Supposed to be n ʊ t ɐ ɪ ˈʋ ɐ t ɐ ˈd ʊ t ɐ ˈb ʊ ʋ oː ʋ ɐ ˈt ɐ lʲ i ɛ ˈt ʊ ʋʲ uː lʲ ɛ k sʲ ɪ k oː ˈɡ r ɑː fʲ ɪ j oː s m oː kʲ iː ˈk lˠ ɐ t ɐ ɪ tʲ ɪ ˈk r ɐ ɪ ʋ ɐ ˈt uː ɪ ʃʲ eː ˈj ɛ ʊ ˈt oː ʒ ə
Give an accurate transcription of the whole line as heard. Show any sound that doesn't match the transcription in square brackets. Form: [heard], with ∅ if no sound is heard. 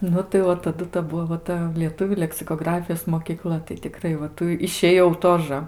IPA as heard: n ʊ t ɐ ɪ ˈʋ ɐ t ɐ ˈd ʊ t ɐ ˈb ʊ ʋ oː ʋ ɐ ˈt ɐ lʲ i ɛ ˈt ʊ ʋʲ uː lʲ ɛ k sʲ ɪ k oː ˈɡ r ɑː fʲ ɪ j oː s m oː kʲ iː ˈk lˠ ɐ t ɐ ɪ tʲ ɪ ˈk r ɐ ɪ ʋ ɐ ˈt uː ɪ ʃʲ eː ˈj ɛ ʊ ˈt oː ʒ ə